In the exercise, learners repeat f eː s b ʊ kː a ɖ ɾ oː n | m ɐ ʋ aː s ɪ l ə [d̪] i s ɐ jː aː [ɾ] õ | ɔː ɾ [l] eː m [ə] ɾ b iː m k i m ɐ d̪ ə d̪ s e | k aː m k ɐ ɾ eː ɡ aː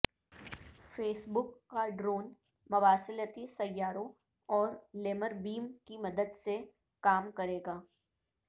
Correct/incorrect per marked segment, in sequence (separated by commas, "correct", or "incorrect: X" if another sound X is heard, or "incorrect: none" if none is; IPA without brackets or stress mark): incorrect: t̪, correct, correct, correct